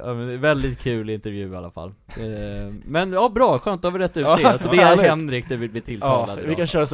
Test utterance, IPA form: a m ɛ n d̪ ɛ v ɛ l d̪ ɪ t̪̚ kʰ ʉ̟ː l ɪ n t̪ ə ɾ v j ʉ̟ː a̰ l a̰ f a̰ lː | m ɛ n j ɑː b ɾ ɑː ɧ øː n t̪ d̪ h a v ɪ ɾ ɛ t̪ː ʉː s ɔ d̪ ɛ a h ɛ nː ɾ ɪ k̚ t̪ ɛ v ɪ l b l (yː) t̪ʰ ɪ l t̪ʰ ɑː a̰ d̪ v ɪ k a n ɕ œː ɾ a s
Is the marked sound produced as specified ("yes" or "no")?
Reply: no